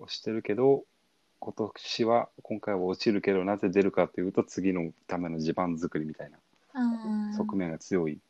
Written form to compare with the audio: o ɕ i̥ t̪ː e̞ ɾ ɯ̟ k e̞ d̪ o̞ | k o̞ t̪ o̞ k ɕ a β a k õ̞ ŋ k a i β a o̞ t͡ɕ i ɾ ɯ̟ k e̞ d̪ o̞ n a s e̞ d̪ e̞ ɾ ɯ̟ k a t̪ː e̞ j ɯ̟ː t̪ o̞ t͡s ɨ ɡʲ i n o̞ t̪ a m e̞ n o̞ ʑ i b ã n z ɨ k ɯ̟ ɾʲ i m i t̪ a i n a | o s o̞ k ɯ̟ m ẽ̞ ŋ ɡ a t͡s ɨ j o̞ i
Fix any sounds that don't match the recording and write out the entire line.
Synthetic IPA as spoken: o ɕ i̥ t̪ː e̞ ɾ ɯ̟ k e̞ d̪ o̞ | k o̞ t̪ o̞ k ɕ i β a k õ̞ ŋ k a i β a o̞ t͡ɕ i ɾ ɯ̟ k e̞ d̪ o̞ n a z e̞ d̪ e̞ ɾ ɯ̟ k a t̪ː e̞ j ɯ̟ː t̪ o̞ t͡s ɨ ɡʲ i n o̞ t̪ a m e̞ n o̞ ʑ i b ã n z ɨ k ɯ̟ ɾʲ i m i t̪ a i n a | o s o̞ k ɯ̟ m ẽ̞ ŋ ɡ a t͡s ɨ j o̞ i